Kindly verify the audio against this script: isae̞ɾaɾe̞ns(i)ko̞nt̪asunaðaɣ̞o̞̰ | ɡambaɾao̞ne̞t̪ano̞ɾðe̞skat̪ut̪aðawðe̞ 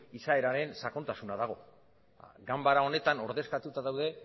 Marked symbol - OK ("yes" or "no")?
no